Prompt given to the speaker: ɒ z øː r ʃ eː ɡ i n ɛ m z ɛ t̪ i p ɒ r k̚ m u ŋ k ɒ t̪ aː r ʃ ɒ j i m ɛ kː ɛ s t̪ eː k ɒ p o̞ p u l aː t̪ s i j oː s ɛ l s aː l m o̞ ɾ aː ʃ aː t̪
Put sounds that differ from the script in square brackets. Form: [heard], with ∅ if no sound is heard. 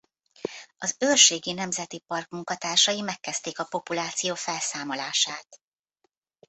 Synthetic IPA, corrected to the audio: ɒ z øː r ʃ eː ɡ i n ɛ m z ɛ t̪ i p ɒ r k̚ m u ŋ k ɒ t̪ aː r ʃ ɒ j i m ɛ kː ɛ s t̪ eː k ɒ p o̞ p u l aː t̪ s i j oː [f] ɛ l s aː [∅] m o̞ [l] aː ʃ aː t̪